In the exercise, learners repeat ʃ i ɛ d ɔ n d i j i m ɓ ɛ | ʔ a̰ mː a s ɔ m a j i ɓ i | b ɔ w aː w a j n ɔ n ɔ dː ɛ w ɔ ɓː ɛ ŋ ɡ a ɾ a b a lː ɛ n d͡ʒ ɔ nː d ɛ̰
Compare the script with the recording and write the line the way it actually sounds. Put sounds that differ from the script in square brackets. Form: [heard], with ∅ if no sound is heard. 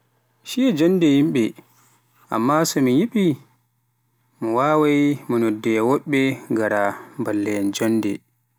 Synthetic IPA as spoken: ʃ i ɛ [d͡ʒ] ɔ n d [ɛ] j i m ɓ ɛ | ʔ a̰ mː a s ɔ m [i] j i ɓ i | [m] ɔ w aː w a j [m] ɔ n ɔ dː ɛ w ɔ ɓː ɛ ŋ ɡ a ɾ a b a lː ɛ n d͡ʒ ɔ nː d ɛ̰